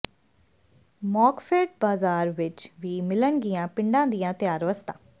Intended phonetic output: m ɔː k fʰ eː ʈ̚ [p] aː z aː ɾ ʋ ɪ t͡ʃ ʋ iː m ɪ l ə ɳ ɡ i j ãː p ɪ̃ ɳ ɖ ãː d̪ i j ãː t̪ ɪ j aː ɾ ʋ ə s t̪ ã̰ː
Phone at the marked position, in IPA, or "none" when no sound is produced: b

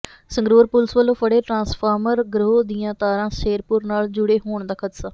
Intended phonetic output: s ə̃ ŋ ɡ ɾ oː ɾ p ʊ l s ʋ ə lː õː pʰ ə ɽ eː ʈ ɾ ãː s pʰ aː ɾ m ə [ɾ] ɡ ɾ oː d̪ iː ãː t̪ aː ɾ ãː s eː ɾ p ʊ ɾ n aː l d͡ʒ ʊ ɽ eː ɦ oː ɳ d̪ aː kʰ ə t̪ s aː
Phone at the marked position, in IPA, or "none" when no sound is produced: ɾ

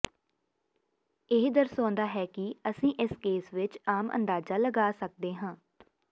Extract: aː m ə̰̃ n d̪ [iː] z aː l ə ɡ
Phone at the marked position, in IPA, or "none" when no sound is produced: aː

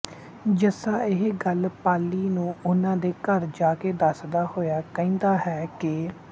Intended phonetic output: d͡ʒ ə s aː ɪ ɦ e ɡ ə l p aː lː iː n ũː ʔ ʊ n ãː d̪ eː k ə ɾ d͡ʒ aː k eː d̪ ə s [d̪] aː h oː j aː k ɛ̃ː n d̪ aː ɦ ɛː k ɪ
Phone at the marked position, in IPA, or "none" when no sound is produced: d̪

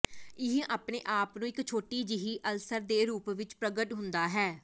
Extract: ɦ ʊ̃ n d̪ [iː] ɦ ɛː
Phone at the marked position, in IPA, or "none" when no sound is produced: aː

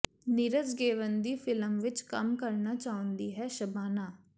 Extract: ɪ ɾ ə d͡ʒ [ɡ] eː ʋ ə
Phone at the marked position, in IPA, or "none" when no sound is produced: ɡ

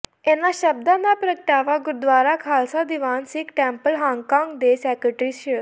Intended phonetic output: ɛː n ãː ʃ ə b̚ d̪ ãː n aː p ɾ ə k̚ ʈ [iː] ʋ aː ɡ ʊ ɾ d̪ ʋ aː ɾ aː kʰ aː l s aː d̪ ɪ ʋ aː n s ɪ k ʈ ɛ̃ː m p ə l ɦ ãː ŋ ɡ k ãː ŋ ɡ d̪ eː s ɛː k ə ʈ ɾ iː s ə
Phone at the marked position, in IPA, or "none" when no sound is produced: aː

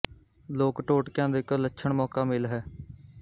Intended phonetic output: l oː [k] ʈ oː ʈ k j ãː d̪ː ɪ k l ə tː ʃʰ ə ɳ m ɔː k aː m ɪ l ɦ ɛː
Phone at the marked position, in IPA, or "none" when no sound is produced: k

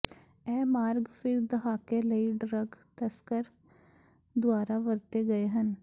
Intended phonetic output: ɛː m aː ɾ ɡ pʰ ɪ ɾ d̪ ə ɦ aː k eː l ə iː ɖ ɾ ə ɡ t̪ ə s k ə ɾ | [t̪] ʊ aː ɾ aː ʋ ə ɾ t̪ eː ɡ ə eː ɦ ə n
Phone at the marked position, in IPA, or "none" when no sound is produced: d̪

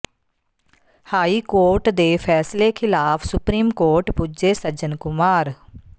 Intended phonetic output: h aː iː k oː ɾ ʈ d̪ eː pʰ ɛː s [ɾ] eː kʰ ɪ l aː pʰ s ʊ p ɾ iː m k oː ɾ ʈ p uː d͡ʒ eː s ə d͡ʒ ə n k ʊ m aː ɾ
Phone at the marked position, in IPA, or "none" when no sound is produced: l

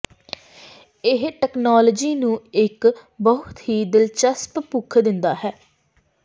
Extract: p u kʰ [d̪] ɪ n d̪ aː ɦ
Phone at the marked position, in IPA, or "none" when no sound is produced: d̪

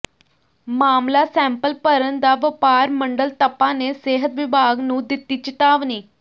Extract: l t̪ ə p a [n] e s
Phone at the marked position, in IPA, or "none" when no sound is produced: n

